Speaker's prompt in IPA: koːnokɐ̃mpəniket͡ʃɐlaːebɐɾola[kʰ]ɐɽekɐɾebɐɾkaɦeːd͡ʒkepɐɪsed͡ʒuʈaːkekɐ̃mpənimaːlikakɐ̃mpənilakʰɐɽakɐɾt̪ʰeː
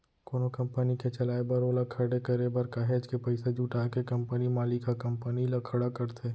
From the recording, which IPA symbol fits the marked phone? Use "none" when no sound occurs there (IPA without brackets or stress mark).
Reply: kʰ